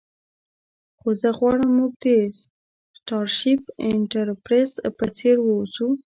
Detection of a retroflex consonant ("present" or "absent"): present